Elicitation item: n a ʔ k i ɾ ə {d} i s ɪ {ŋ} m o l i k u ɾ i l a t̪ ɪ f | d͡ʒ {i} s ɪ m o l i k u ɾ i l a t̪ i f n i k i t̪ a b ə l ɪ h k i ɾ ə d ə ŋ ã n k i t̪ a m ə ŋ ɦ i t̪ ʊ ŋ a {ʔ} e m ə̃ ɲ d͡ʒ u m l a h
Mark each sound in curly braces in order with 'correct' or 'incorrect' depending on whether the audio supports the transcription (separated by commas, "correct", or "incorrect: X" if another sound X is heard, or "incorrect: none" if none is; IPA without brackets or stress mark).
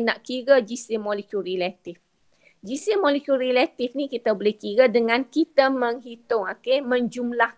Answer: incorrect: d͡ʒ, incorrect: none, correct, incorrect: k